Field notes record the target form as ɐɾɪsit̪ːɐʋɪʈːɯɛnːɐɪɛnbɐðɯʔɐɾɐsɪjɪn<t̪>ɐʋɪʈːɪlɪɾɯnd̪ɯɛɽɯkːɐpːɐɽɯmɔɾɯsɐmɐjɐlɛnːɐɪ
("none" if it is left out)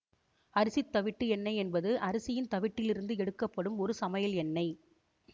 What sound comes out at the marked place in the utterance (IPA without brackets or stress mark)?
t̪